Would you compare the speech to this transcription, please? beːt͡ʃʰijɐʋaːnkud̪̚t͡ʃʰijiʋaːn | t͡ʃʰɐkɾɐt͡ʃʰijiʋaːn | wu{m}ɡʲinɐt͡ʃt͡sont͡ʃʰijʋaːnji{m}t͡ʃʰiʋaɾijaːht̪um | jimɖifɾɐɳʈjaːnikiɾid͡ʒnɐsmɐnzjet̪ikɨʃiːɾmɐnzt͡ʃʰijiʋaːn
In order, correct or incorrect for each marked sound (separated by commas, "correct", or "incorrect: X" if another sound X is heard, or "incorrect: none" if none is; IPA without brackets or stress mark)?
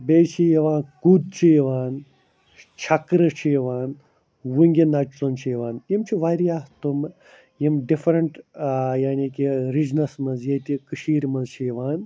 incorrect: ŋ, correct